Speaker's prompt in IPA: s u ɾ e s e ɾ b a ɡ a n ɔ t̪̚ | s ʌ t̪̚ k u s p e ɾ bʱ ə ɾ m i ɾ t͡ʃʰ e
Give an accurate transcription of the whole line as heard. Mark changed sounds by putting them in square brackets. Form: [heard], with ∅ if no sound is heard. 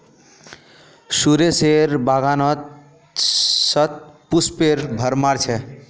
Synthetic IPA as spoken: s u ɾ e s e ɾ b a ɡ a n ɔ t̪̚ | s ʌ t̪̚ [p] u s p e ɾ bʱ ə ɾ m [a] ɾ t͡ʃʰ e